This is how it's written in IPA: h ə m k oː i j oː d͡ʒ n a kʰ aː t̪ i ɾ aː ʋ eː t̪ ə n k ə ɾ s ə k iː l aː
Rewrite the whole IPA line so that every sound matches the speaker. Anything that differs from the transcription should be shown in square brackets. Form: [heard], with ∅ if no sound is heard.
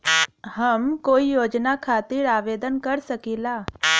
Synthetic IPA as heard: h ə m k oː i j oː d͡ʒ n a kʰ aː t̪ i ɾ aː ʋ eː [d̪] ə n k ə ɾ s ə k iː l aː